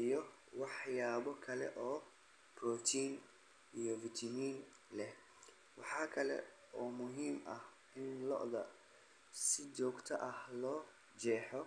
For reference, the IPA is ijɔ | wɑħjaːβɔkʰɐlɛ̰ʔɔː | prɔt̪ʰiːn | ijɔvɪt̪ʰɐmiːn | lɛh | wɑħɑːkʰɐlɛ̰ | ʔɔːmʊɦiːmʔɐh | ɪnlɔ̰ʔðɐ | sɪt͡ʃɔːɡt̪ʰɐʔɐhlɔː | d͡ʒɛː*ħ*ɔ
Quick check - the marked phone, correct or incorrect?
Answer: correct